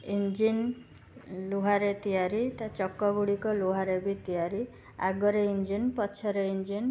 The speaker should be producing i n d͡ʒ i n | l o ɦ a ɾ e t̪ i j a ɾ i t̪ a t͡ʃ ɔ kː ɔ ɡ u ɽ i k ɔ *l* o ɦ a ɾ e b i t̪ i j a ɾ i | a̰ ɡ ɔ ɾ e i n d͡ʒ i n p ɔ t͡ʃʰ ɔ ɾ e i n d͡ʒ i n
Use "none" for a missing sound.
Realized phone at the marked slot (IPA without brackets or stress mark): l